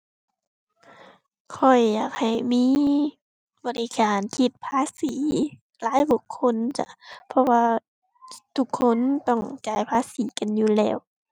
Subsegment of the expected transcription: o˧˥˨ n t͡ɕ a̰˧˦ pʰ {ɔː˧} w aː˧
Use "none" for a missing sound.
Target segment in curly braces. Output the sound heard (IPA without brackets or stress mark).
ɔ˧